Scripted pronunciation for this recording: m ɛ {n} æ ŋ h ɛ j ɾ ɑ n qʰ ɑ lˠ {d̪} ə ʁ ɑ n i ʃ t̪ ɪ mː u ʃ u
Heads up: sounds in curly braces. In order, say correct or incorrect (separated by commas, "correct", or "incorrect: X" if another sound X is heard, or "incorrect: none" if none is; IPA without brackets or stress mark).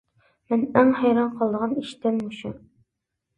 correct, correct